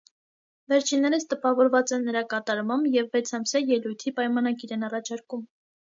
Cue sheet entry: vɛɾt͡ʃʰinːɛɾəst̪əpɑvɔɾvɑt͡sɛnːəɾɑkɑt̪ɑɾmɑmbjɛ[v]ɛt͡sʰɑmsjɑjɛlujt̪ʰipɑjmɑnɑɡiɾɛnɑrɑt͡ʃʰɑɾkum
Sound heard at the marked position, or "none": vː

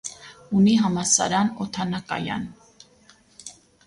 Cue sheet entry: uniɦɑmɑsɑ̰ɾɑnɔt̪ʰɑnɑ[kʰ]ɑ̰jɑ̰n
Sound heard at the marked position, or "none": k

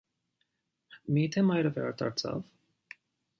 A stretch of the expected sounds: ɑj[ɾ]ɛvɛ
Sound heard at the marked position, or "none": ɾ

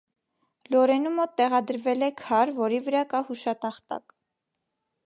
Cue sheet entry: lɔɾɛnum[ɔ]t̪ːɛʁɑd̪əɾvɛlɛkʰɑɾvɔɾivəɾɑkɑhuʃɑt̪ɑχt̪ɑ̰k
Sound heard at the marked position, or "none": ɔ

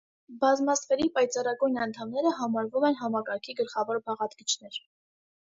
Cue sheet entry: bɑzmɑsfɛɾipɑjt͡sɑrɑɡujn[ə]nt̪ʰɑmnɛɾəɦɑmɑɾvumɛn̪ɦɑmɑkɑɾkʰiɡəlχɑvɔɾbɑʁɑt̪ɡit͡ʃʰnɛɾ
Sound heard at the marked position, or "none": ɑ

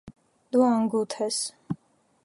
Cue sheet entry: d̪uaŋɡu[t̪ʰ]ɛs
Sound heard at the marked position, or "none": t̪ʰ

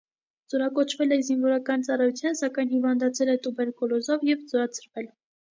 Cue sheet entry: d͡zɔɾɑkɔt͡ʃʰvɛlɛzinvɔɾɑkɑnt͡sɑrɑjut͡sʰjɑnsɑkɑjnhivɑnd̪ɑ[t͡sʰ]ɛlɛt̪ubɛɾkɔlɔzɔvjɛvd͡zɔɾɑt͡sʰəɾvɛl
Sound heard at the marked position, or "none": t͡sʰ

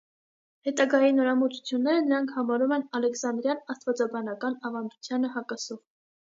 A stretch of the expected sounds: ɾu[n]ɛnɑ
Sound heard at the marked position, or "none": m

